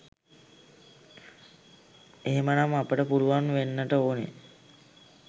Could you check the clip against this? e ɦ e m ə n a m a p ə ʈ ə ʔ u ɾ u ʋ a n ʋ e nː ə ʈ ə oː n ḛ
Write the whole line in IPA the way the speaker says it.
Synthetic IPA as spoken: e ɦ e m ə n a m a p ə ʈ ə p u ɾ u ʋ a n ʋ e nː ə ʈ ə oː n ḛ